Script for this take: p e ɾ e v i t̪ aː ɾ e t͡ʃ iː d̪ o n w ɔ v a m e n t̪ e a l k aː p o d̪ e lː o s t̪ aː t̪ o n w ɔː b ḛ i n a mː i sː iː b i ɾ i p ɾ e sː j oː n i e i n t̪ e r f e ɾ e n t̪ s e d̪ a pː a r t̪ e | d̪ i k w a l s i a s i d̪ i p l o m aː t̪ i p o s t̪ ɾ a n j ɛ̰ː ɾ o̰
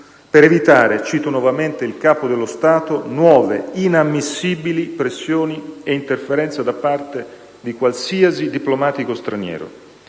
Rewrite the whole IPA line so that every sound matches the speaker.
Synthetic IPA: p e ɾ e v i t̪ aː ɾ e t͡ʃ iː t̪ o n w ɔ v a m e n t̪ e i l k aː p o d̪ e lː o s t̪ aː t̪ o n w ɔː v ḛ i n a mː i sː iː b i l i p ɾ e sː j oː n i e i n t̪ e r f e ɾ ɛ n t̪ s a d̪ a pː a r t̪ e | d̪ i k w a l s i a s i d̪ i p l o m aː t̪ i k o s t̪ ɾ a n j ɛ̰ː ɾ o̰